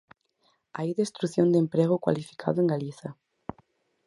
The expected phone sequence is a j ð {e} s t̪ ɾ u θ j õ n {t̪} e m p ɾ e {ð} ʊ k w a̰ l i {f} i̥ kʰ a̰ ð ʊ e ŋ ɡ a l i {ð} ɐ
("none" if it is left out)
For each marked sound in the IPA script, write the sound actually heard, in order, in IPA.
e, d̪, ɣ, f, θ

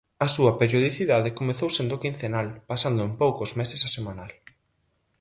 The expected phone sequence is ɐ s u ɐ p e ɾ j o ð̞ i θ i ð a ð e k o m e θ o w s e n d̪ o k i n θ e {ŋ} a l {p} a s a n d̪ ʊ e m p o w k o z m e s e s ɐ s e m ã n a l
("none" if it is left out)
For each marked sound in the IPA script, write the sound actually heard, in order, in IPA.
n, p

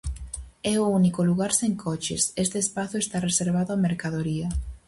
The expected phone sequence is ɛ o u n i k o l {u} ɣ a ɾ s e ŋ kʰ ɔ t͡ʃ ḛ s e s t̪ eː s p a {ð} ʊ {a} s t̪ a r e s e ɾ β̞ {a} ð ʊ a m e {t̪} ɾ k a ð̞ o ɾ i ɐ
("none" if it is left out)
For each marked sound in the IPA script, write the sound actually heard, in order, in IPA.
u, θ, e, a, none

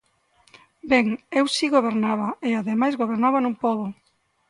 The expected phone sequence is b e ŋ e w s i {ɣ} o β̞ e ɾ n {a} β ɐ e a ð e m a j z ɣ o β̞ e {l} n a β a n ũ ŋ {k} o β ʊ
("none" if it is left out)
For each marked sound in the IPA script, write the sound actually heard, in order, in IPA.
ɣ, a, ɾ, p

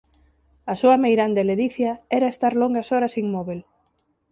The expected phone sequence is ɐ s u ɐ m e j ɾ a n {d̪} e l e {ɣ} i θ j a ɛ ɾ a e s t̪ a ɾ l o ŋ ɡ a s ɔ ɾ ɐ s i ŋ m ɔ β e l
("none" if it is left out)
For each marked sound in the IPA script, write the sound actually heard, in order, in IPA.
d̪, ð

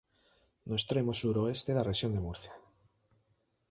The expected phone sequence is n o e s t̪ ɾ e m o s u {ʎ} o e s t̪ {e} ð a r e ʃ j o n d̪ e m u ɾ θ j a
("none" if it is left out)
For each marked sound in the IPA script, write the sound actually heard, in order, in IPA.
ɾ, e

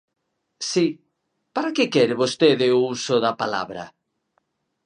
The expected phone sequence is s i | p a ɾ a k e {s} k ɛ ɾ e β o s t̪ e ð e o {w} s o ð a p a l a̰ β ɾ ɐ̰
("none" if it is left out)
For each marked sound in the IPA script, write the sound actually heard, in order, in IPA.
none, u

